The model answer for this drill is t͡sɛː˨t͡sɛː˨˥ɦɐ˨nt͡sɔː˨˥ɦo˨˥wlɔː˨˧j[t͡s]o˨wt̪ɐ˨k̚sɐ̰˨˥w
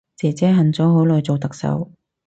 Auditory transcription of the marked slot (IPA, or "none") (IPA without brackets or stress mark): t͡s